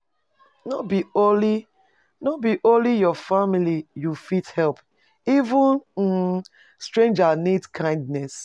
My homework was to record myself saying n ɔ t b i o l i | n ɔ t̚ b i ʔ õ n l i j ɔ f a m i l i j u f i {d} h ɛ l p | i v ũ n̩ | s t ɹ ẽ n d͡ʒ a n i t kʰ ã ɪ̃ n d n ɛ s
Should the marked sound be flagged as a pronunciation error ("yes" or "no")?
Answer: yes